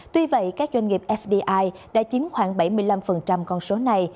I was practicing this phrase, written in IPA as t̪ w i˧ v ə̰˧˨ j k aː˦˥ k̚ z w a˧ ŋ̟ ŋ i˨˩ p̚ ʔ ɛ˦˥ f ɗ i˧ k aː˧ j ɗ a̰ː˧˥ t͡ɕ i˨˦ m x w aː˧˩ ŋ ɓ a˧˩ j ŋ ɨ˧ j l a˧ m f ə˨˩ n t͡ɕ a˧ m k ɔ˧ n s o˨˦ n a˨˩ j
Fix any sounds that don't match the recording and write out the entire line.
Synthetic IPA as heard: t̪ w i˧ v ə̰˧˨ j k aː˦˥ k̚ z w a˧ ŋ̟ ŋ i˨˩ p̚ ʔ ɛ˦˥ f ɗ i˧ ʔ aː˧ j ɗ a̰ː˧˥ t͡ɕ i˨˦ m x w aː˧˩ ŋ ɓ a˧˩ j m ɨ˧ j l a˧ m f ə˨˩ n t͡ɕ a˧ m k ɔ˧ n s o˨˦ n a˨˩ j